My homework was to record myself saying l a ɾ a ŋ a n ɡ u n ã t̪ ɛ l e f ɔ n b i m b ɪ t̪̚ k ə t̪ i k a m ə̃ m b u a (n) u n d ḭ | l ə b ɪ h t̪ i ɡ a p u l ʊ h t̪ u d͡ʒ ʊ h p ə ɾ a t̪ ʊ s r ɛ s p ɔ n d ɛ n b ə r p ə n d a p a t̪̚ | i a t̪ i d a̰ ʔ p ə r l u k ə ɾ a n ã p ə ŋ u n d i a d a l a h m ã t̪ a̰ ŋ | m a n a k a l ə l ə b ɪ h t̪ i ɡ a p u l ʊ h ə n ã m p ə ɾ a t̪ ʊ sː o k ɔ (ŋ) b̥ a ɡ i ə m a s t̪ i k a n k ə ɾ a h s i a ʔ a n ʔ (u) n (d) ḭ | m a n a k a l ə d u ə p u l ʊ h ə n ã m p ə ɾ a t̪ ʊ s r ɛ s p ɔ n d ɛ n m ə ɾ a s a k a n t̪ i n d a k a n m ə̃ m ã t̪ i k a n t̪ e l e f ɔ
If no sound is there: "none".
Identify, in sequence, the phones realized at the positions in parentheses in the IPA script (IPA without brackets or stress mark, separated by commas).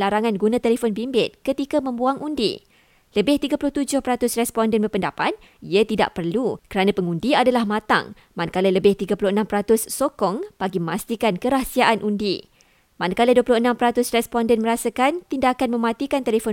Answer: ŋ, ŋ, u, d